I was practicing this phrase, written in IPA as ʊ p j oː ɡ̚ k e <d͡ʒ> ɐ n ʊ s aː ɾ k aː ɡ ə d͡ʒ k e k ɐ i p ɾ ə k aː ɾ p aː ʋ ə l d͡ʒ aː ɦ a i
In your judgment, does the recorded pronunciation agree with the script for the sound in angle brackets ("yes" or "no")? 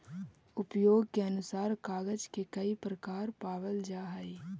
no